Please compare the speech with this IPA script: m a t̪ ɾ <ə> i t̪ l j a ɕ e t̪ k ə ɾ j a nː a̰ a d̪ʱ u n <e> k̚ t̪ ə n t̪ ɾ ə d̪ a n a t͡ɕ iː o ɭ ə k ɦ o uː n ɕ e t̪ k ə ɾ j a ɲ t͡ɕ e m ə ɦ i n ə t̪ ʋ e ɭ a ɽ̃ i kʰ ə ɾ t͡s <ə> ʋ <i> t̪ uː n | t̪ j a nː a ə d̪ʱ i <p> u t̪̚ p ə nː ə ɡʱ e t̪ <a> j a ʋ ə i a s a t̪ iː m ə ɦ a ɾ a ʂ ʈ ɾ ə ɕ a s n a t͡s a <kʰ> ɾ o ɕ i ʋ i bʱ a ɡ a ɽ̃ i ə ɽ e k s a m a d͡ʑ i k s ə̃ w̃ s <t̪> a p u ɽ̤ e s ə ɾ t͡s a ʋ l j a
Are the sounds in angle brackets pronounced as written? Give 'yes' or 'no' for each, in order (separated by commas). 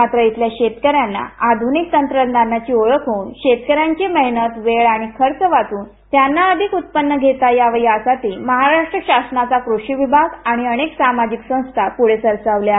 yes, no, yes, no, no, yes, no, no